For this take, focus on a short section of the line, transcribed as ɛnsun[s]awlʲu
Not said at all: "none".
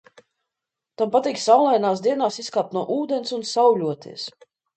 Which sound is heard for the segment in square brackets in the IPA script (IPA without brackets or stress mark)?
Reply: s